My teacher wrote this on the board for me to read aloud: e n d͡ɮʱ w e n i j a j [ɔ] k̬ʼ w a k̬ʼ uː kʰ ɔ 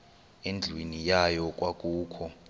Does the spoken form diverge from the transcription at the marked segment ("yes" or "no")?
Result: no